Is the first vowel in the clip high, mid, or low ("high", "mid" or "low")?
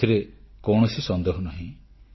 high